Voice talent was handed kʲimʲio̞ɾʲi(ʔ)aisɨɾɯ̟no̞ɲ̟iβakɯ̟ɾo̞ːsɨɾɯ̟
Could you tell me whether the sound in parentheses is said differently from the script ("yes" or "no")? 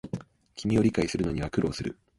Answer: yes